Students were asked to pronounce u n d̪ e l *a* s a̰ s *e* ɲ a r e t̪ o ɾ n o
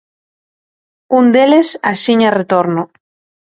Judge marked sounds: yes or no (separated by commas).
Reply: no, no